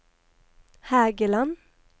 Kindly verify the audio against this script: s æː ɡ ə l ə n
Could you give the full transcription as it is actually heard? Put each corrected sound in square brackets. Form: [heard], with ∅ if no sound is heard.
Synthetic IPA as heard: [h] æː ɡ ə l [ɑ] n